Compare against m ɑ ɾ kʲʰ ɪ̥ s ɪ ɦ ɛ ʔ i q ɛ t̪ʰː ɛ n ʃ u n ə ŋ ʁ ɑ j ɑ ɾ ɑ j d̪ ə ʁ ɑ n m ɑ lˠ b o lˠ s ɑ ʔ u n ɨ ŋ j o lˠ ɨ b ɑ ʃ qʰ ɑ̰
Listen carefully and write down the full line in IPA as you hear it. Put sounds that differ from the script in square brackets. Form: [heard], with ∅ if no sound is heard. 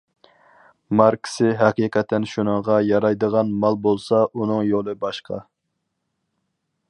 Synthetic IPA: m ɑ ɾ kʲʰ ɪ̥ s ɪ ɦ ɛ [q] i q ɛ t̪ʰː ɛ n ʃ u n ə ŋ ʁ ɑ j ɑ ɾ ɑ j d̪ ə ʁ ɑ n m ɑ lˠ b o lˠ s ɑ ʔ u n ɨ ŋ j o lˠ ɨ b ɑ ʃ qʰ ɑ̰